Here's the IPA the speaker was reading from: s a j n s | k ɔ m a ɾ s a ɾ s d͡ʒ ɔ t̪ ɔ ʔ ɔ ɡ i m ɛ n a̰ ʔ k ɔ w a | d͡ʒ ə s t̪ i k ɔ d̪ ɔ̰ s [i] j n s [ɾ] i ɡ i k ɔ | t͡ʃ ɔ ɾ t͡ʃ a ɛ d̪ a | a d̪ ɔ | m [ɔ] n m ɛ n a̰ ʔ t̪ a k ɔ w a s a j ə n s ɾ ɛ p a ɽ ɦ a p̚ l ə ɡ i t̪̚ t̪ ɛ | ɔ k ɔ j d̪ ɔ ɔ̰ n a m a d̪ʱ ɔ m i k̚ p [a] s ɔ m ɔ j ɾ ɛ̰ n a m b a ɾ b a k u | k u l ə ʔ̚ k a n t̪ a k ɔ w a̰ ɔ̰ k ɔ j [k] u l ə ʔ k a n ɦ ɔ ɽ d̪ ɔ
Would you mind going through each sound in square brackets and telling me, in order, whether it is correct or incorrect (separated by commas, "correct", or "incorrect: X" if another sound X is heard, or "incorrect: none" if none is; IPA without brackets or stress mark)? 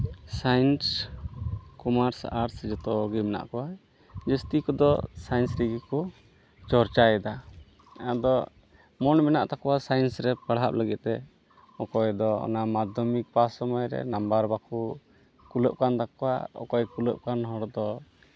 incorrect: a, correct, correct, correct, correct